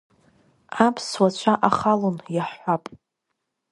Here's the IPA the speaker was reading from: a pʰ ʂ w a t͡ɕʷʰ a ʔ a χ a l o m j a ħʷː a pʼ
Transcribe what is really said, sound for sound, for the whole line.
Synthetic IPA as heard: a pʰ s w a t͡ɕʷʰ a ʔ a χ a l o n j a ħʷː a pʼ